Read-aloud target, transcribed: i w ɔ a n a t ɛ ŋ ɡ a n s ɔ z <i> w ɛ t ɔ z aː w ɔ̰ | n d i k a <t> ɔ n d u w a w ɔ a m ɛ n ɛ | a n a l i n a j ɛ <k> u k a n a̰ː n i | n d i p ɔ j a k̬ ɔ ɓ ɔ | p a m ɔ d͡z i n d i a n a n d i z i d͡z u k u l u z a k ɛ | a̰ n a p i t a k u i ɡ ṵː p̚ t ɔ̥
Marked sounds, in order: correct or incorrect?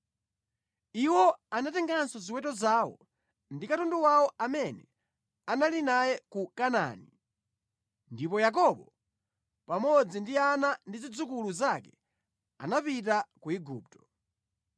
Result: correct, correct, correct

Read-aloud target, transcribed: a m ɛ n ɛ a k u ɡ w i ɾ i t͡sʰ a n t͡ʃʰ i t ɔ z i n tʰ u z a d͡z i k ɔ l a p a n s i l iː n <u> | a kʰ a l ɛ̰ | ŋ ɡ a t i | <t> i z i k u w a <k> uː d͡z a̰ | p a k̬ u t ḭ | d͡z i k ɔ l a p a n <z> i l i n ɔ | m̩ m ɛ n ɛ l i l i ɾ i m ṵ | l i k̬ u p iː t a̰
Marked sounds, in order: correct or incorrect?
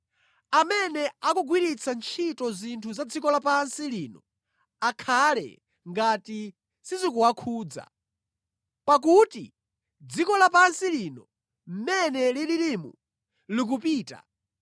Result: incorrect, incorrect, incorrect, incorrect

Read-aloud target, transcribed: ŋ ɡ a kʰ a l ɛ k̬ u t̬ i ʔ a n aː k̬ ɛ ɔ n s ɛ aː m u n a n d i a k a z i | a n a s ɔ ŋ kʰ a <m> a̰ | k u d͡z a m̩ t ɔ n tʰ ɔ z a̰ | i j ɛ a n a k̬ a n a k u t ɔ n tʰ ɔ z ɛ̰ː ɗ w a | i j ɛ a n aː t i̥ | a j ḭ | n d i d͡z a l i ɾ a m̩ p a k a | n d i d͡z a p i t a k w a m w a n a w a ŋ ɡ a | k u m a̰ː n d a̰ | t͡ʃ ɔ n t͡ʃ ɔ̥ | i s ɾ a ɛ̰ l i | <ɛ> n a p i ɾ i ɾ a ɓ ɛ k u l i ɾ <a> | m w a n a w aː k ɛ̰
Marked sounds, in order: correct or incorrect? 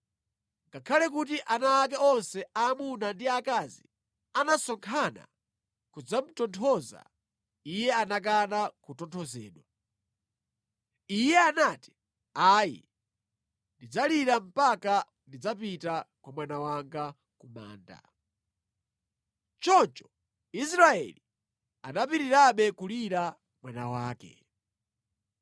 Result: incorrect, incorrect, correct

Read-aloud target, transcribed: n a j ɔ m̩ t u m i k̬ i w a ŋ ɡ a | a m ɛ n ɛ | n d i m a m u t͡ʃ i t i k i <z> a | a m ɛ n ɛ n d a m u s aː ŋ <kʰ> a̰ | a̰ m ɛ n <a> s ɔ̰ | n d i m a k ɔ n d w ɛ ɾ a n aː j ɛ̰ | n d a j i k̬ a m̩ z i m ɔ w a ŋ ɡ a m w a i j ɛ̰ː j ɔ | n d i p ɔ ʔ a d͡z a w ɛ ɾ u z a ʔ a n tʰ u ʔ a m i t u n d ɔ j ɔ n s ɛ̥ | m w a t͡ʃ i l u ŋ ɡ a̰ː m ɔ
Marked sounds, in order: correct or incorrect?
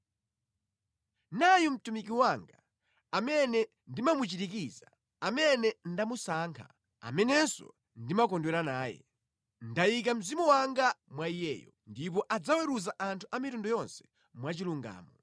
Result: correct, correct, incorrect

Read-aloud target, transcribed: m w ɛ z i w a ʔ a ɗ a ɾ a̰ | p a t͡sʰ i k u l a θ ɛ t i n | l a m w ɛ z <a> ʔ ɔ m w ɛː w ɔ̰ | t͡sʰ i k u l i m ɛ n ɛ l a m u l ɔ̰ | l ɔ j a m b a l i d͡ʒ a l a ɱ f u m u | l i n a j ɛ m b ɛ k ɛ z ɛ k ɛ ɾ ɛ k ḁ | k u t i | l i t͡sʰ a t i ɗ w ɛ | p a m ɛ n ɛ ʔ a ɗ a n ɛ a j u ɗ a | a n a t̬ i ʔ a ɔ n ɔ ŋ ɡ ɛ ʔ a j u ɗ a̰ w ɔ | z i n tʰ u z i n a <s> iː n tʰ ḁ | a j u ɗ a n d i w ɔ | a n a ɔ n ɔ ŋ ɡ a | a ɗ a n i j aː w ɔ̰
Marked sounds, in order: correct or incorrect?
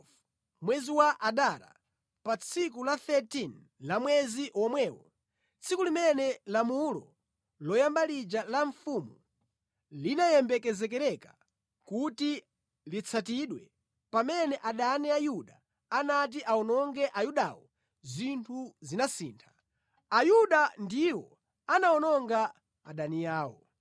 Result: incorrect, correct

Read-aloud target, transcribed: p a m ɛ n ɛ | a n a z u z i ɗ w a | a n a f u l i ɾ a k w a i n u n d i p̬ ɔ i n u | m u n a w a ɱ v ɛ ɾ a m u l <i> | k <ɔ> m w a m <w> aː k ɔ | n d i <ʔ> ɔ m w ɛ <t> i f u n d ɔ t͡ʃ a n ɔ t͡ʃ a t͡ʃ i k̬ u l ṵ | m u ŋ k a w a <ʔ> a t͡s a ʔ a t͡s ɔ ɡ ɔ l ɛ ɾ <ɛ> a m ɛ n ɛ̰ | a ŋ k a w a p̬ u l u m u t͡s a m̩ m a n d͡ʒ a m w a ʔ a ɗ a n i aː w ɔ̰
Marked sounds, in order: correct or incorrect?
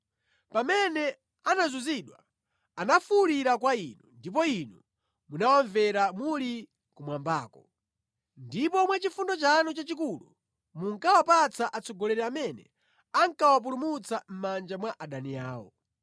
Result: correct, incorrect, incorrect, incorrect, incorrect, incorrect, correct

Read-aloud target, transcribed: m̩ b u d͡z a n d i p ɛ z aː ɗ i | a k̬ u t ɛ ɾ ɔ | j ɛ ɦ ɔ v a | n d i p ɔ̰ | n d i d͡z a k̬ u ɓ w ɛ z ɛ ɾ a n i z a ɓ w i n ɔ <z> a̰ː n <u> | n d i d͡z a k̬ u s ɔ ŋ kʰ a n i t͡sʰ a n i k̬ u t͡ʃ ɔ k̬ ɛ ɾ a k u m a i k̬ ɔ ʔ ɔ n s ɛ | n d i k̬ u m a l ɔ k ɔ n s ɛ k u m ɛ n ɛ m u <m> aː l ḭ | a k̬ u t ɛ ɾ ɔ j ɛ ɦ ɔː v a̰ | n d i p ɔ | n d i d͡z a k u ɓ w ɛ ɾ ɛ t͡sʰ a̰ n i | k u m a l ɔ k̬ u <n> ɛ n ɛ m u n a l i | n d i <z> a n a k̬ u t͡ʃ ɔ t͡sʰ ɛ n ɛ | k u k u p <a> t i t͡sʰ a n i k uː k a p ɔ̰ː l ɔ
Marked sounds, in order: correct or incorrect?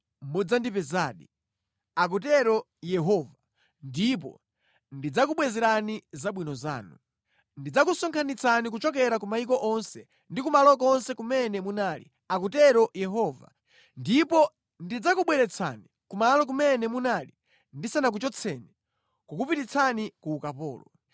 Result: correct, correct, incorrect, incorrect, incorrect, incorrect

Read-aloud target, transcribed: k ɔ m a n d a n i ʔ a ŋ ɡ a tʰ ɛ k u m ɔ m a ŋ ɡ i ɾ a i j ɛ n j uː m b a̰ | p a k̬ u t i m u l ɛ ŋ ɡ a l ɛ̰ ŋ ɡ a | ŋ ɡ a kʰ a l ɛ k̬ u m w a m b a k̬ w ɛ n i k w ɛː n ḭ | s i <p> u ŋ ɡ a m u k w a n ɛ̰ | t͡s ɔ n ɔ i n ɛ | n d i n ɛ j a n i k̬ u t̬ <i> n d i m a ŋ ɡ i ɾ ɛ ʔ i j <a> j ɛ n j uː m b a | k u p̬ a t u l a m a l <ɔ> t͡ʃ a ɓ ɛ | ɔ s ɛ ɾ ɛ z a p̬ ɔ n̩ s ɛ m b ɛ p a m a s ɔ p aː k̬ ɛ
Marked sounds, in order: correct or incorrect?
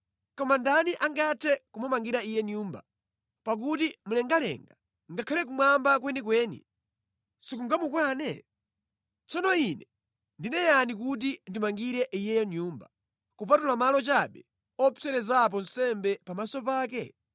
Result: incorrect, correct, incorrect, correct

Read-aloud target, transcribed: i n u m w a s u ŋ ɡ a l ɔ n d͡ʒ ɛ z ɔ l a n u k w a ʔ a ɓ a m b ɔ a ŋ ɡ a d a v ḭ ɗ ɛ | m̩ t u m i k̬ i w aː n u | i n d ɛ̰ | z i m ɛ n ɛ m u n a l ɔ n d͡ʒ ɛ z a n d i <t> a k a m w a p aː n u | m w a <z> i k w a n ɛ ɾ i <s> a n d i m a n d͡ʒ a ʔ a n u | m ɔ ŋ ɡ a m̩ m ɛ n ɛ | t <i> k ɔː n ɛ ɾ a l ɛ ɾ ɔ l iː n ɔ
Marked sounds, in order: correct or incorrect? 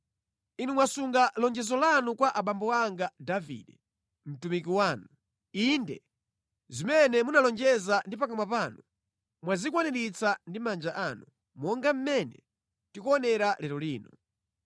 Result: incorrect, correct, incorrect, correct

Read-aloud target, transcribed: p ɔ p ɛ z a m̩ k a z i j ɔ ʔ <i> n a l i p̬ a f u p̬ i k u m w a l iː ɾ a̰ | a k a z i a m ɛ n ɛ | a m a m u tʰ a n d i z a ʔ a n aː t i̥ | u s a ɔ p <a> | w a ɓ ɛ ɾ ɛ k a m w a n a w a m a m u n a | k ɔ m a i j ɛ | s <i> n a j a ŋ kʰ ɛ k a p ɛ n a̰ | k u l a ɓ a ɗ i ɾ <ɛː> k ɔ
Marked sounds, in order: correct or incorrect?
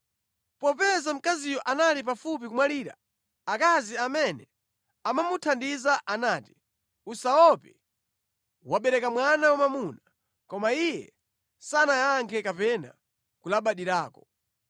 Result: incorrect, incorrect, incorrect, incorrect

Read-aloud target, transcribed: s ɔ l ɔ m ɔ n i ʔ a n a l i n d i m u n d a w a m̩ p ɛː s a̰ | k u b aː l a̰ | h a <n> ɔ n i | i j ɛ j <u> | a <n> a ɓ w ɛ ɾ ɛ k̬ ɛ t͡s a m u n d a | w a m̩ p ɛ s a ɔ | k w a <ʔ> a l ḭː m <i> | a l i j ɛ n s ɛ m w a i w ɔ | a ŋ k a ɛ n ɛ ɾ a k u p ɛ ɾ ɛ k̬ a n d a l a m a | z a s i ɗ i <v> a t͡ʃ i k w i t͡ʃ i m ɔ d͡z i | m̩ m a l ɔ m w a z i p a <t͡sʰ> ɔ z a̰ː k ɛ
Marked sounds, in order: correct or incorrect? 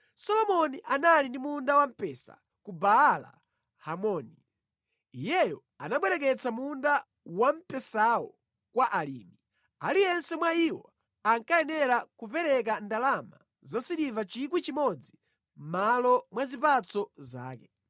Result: incorrect, incorrect, correct, correct, correct, correct, incorrect

